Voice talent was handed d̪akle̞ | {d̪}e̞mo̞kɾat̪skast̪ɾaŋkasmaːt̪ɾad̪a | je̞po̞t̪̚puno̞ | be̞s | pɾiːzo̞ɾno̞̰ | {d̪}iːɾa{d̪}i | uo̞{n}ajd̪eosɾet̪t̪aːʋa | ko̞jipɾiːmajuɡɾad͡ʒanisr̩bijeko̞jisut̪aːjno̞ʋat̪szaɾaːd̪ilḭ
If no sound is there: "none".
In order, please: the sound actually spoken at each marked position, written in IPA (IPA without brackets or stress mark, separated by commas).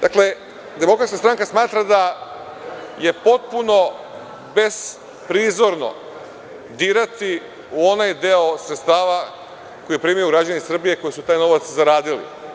d̪, d̪, t̪, n